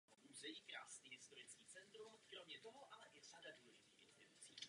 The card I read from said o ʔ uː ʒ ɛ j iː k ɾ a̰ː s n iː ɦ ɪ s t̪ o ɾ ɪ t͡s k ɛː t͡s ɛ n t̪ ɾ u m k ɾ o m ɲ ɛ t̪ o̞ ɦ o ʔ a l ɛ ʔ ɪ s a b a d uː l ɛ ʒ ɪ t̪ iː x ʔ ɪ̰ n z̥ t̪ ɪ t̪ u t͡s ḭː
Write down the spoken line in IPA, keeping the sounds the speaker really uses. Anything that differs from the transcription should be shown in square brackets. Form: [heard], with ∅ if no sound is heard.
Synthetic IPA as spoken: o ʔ uː [z] ɛ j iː k ɾ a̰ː s n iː ɦ ɪ s t̪ o ɾ ɪ t͡s k [iː] t͡s ɛ n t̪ ɾ u m k ɾ o m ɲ ɛ t̪ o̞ ɦ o ʔ a l ɛ ʔ ɪ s a [d] a d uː l ɛ ʒ ɪ t̪ iː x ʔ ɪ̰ n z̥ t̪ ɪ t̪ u t͡s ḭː